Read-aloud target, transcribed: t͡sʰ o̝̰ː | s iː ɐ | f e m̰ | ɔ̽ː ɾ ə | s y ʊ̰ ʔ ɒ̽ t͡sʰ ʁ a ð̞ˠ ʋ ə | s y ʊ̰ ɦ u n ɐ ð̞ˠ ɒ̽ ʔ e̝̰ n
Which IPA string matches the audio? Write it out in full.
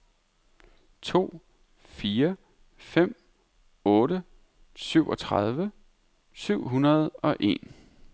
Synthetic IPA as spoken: t͡sʰ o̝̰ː | f iː ɐ | f e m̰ | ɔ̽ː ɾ ə | s y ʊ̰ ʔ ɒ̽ t͡sʰ ʁ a ð̞ˠ ʋ ə | s y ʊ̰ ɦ u n ɐ ð̞ˠ ɒ̽ ʔ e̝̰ n